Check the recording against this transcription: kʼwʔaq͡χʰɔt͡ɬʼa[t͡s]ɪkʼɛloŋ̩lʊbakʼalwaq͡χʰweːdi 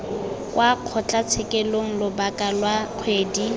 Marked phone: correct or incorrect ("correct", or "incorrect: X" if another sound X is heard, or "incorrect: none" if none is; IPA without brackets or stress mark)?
incorrect: t͡sʰ